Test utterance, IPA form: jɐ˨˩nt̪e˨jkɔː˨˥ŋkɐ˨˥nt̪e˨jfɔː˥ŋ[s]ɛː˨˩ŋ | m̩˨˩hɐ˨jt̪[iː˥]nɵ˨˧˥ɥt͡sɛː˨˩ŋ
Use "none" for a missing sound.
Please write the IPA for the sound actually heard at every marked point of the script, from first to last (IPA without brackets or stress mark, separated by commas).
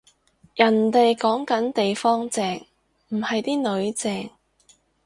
t͡s, iː˥